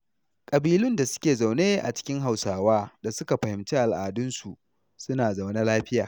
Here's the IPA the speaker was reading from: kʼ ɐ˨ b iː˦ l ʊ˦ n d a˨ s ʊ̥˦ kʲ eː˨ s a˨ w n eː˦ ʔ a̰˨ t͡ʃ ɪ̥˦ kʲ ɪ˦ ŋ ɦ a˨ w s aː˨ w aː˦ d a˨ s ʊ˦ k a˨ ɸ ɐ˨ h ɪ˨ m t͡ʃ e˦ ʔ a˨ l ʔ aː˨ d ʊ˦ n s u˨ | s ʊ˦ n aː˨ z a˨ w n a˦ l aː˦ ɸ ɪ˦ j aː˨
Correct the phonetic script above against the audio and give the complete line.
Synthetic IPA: kʼ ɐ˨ b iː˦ l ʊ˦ n d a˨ s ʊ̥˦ kʲ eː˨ z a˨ w n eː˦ ʔ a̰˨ t͡ʃ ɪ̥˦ kʲ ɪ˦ ŋ ɦ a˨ w s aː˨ w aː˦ d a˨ s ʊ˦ k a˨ ɸ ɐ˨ h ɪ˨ m t͡ʃ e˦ ʔ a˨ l ʔ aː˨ d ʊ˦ n s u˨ | s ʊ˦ n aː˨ z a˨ w n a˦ l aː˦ ɸ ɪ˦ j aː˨

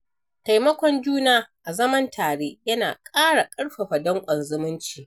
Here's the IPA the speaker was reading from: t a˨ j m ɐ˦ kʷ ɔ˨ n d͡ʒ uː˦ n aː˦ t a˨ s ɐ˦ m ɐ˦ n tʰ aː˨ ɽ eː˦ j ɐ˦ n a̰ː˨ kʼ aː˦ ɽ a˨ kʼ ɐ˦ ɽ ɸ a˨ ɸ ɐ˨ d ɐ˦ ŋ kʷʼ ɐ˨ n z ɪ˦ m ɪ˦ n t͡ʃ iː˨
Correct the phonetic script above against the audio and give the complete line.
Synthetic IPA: t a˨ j m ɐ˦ kʷ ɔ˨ n d͡ʒ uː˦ n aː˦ ʔ a˨ z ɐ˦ m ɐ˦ n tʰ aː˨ ɽ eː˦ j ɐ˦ n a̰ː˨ kʼ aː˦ ɽ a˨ kʼ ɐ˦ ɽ ɸ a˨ ɸ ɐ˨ d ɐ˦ ŋ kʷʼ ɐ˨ n z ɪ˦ m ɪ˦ n t͡ʃ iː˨

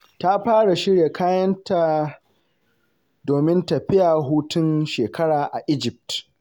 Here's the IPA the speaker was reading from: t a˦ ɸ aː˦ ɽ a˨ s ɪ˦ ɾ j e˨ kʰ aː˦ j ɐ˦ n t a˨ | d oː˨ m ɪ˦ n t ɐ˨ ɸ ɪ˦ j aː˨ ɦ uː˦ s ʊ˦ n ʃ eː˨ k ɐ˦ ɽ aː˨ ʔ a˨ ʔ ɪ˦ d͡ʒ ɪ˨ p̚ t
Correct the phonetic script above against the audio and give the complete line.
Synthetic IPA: t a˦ ɸ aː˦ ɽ a˨ ʃ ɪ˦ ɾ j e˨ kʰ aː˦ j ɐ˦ n t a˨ | d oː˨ m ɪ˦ n t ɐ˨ ɸ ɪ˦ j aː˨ ɦ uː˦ t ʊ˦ n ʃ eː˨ k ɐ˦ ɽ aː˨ ʔ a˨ ʔ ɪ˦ d͡ʒ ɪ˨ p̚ t

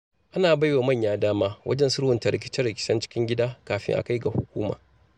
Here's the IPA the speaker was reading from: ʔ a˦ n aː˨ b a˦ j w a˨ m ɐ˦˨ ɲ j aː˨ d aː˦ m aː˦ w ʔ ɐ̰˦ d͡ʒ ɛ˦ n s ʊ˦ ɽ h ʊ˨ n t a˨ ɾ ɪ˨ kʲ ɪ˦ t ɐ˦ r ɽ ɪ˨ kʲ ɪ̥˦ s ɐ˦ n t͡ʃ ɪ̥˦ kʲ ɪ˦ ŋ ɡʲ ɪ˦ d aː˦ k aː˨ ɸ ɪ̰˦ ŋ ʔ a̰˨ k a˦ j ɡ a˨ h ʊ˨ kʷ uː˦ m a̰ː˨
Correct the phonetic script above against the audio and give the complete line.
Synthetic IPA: ʔ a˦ n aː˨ b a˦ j w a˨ m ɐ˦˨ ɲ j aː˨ d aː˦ m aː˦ w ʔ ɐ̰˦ d͡ʒ ɛ˦ n s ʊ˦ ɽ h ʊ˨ n t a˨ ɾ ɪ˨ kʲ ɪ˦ t͡ʃ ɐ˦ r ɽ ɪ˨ kʲ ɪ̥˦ s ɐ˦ n t͡ʃ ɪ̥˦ kʲ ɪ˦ ŋ ɡʲ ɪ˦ d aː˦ k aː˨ ɸ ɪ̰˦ ŋ ʔ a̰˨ k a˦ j ɡ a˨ h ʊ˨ kʷ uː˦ m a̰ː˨

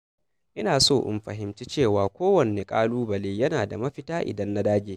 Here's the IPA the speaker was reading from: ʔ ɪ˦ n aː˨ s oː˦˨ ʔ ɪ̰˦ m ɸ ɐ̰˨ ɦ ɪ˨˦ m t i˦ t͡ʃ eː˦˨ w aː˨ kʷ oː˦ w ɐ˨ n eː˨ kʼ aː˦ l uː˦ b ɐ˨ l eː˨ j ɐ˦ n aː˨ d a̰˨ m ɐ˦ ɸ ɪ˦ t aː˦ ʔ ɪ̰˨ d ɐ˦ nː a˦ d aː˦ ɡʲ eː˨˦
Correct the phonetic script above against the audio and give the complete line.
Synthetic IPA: ʔ ɪ˦ n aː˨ s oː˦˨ ʔ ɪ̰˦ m ɸ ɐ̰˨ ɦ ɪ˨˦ m t͡ʃ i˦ t͡ʃ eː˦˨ w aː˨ kʷ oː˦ w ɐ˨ n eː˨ kʼ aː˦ l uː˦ b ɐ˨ l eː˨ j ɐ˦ n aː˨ d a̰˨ m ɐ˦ ɸ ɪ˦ t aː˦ ʔ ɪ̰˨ d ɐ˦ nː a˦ d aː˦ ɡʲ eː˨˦

